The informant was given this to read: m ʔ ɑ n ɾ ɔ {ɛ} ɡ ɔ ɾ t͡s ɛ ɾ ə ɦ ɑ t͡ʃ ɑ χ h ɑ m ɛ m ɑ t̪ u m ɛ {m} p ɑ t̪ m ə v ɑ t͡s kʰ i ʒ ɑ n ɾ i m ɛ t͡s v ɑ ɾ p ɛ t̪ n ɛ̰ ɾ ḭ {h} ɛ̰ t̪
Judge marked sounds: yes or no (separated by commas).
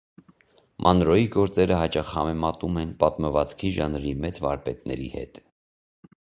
no, no, yes